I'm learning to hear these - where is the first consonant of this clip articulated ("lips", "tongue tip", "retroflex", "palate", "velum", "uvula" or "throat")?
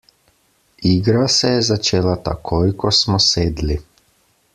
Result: velum